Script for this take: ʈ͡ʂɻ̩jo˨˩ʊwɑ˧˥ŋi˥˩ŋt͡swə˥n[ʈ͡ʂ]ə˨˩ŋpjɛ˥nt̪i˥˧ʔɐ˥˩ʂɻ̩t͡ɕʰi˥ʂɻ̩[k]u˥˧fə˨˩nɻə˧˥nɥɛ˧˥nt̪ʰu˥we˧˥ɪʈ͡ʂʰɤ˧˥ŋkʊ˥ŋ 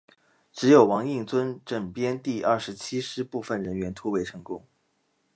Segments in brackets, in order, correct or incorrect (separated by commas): correct, incorrect